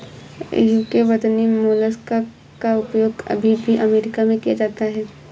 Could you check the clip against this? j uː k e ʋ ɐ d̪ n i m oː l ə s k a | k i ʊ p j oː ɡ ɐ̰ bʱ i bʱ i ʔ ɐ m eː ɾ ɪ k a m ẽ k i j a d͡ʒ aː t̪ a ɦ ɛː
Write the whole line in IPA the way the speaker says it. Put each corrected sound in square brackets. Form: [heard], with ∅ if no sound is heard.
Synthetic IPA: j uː k e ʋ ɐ d̪ n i m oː l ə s k a | k [a] ʊ p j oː ɡ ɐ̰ bʱ i bʱ i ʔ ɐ m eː ɾ ɪ k a m ẽ k i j a d͡ʒ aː t̪ a ɦ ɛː